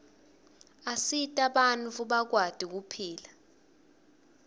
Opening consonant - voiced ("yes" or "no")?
no